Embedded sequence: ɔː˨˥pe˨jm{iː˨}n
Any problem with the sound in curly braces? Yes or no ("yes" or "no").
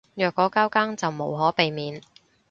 no